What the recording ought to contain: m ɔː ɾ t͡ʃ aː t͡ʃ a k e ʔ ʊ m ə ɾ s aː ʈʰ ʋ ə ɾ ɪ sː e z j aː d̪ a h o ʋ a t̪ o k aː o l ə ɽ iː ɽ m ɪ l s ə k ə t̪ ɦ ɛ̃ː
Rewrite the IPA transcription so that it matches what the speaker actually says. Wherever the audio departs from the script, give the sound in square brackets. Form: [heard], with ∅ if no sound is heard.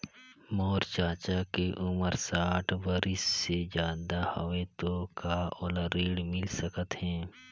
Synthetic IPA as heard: m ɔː ɾ t͡ʃ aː t͡ʃ a k e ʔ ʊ m ə ɾ s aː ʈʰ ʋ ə ɾ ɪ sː e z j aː d̪ a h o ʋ [e] t̪ o k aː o l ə [ɾ] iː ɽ m ɪ l s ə k ə t̪ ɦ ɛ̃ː